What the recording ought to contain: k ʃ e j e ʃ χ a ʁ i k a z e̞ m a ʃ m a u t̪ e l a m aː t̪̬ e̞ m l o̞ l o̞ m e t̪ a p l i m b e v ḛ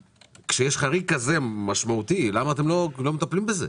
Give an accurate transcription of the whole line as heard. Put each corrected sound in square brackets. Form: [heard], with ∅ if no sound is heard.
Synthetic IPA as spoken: k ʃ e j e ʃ χ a ʁ i k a z e̞ m a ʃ m a u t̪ [i] l a m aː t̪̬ e̞ m l o̞ l o̞ m e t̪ a p l i m b e [z] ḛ

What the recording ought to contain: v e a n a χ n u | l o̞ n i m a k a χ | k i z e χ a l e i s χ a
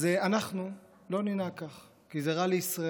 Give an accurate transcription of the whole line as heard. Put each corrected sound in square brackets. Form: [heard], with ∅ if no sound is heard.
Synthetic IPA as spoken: [z] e a n a χ n u | l o̞ n i [n] a k a χ | k i z e [ʁ] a l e i s [ʁ] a

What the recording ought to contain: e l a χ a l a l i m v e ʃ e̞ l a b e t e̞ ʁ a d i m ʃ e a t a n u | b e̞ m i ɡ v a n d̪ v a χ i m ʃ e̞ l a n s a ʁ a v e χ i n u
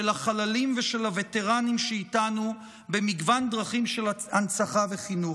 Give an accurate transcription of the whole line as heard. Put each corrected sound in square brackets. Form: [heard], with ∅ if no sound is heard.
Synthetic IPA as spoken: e l a χ a l a l i m v e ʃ e̞ l a [v] e t e̞ ʁ a [n] i m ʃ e [i] t a n u | b e̞ m i ɡ v a n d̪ [ʁ] a χ i m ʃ e̞ l a n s a [χ] a v e χ i n u

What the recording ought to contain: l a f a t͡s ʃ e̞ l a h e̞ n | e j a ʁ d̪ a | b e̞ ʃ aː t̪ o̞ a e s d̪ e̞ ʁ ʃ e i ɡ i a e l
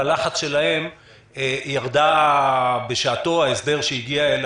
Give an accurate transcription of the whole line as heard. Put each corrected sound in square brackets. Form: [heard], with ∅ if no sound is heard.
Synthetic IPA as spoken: l a [χ] a t͡s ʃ e̞ l a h e̞ [m] | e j a ʁ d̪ a | b e̞ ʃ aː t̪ o̞ a e s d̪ e̞ ʁ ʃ e i ɡ i a e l

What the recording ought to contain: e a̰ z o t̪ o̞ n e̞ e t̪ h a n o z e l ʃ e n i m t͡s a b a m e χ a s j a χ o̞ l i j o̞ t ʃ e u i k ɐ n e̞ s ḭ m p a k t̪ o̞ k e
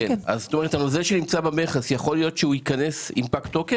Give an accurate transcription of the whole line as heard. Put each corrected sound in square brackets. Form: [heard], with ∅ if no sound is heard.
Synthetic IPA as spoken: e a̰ z o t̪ o̞ [m] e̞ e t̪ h a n o z e l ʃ e n i m t͡s a b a m e χ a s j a χ o̞ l i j o̞ t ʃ e u i k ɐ n e̞ s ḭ m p a k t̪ o̞ k e

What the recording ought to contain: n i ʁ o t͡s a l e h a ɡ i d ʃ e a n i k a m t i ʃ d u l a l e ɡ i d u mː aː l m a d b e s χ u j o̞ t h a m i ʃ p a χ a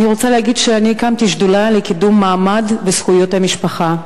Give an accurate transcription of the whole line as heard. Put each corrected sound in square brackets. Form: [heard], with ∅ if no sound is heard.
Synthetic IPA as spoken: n i ʁ o t͡s a l e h a ɡ i d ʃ e a n i k a m t i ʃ d u l a l e [k] i d u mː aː [∅] m a d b e s χ u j o̞ t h a m i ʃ p a χ a

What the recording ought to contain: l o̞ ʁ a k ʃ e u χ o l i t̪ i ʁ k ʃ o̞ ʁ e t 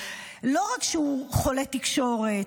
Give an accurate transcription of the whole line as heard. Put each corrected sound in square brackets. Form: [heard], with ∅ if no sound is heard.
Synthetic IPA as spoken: l o̞ ʁ a k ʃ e u χ o l [e] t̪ i [∅] k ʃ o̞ ʁ e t

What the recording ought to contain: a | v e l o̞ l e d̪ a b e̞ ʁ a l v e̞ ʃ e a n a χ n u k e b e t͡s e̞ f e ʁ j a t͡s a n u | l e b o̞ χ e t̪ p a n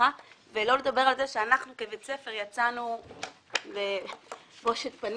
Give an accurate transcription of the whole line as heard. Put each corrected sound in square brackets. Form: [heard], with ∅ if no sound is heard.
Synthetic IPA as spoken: a | v e l o̞ l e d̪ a b e̞ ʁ a l [z] e̞ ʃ e a n a χ n u k e b e t͡s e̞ f e ʁ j a t͡s a n u | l e b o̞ [ʃ] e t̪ p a n

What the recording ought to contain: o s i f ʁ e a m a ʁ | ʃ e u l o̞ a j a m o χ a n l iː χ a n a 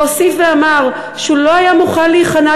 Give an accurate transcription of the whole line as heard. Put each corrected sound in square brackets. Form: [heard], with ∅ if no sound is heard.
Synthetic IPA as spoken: o s i f [v] e a m a ʁ | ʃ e u l o̞ a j a m [u] χ a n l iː χ a n a

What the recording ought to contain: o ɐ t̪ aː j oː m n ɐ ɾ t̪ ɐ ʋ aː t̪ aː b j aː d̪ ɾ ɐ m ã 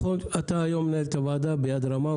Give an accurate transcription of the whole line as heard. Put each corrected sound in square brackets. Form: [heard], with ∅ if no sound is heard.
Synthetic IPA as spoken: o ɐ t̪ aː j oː m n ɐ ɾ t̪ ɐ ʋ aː [d̪] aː b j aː d̪ ɾ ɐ m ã

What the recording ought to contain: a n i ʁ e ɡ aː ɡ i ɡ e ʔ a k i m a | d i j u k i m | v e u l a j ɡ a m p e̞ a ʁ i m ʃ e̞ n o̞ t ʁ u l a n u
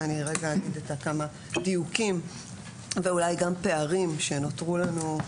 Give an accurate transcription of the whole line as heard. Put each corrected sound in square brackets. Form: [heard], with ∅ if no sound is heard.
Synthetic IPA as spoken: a n i ʁ e ɡ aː ɡ i [d] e [t] a k [a] m a | d i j u k i m | v e u l a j ɡ a m p e̞ a ʁ i m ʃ e̞ n o̞ t ʁ u l a n u

